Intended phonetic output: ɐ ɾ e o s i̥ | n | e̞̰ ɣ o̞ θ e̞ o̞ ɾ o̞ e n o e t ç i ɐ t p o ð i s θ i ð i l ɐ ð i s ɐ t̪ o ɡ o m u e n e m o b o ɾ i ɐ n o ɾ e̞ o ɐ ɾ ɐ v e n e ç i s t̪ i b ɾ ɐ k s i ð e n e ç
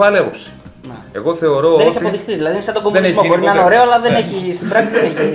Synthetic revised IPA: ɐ l e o s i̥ | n | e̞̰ ɣ o̞ θ e̞ o̞ ɾ o̞ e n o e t ç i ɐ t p o ð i x θ i ð i l ɐ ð i s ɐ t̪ o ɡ o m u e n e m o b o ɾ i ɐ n o ɾ e̞ o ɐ l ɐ ð e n e ç i s t̪ i b ɾ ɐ k s i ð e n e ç